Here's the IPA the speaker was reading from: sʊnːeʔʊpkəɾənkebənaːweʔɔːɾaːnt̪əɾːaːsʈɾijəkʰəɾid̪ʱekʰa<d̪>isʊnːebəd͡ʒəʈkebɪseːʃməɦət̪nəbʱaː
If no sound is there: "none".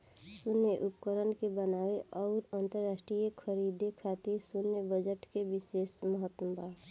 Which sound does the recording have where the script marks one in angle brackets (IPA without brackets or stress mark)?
t̪